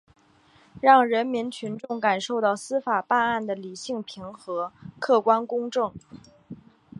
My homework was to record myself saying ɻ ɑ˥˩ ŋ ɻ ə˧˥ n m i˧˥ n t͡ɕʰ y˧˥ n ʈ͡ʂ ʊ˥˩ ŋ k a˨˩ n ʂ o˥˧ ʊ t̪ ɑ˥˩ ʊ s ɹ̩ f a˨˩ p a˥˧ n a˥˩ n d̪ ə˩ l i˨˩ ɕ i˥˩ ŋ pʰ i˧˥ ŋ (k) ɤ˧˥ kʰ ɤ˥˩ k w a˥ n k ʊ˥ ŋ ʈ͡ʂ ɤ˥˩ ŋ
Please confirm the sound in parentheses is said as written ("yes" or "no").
no